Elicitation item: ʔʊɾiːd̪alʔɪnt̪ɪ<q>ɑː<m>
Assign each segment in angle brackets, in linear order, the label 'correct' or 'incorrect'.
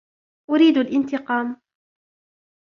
correct, correct

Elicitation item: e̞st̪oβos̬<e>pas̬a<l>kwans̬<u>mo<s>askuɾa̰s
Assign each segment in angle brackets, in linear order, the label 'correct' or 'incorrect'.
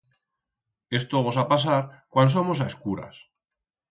incorrect: a, incorrect: ɾ, incorrect: o, correct

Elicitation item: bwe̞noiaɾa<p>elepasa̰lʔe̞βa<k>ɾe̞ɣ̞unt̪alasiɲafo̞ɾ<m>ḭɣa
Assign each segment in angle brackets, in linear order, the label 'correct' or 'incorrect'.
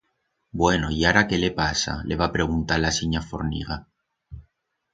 incorrect: k, incorrect: p, incorrect: n

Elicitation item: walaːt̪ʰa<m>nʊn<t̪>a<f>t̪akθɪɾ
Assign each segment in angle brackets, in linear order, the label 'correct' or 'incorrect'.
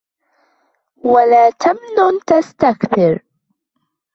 correct, correct, incorrect: s

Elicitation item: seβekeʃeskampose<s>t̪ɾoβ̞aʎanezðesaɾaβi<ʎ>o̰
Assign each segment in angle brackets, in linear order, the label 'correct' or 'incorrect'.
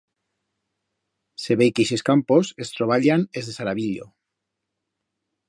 correct, correct

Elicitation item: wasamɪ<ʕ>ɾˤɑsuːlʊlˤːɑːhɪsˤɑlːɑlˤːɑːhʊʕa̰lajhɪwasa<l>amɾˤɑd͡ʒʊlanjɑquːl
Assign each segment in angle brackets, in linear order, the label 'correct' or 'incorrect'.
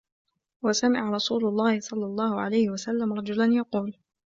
correct, incorrect: lː

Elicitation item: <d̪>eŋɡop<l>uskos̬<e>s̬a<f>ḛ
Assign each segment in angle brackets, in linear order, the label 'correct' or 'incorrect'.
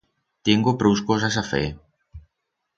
incorrect: t̪, incorrect: ɾ, incorrect: a, correct

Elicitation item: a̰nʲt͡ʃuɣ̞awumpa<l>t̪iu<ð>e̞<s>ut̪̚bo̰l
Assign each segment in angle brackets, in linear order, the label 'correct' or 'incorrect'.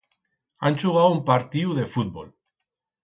incorrect: ɾ, correct, incorrect: f

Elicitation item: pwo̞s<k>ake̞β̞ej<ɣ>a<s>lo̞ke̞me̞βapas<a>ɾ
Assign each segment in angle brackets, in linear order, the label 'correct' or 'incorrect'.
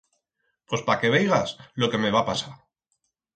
incorrect: p, correct, correct, correct

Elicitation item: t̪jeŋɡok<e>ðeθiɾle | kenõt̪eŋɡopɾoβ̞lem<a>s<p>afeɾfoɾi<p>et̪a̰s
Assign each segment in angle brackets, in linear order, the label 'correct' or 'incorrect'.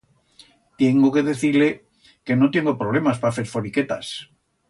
correct, correct, correct, incorrect: k

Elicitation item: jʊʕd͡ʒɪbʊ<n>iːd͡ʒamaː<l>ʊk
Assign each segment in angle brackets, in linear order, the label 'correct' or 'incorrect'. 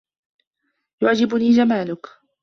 correct, correct

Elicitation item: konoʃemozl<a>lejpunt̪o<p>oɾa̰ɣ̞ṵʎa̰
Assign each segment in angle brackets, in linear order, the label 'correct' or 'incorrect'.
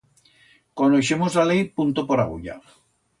correct, correct

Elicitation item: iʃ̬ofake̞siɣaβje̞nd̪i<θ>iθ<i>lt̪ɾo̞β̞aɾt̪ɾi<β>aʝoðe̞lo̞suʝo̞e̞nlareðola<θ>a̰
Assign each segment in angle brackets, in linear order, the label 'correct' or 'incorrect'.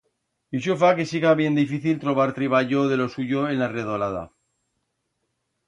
incorrect: f, correct, correct, incorrect: ð

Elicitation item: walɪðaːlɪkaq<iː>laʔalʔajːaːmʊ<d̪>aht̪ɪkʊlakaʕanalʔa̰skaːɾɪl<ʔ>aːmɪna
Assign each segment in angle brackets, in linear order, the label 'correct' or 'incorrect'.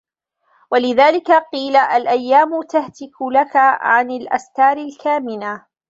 correct, incorrect: t̪, incorrect: k

